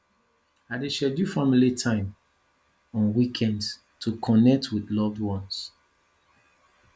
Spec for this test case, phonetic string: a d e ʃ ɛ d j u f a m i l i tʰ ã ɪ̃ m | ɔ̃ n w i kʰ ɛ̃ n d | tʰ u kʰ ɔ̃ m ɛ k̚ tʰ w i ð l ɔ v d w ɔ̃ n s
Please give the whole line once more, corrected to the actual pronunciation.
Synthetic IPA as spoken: a d e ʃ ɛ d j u f a m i l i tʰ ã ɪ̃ m | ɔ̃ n w i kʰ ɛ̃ n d | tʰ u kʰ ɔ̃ n ɛ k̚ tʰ w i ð l ɔ v d w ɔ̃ n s